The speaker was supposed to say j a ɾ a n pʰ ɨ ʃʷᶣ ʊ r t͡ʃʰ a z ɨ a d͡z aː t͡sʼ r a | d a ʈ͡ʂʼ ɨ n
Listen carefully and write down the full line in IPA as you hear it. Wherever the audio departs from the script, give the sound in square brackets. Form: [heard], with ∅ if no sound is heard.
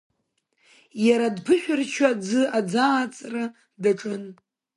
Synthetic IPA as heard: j a ɾ a [d] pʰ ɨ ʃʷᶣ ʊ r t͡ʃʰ a [d͡z] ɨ a d͡z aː t͡sʼ r a | d a ʈ͡ʂʼ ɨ n